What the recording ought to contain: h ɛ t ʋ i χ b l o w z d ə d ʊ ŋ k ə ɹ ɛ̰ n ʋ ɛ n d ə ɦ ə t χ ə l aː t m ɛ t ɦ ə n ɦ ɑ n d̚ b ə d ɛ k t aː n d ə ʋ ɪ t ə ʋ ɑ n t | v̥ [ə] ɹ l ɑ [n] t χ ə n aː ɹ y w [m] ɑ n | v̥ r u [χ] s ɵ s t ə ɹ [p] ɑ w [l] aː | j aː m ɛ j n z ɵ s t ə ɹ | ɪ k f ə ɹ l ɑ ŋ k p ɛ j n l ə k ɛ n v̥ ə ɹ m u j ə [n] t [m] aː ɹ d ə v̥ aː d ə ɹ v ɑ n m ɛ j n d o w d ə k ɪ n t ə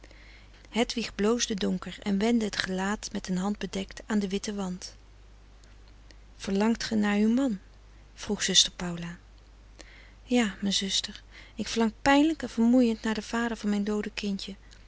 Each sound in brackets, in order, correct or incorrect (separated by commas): correct, incorrect, correct, correct, correct, correct, correct, incorrect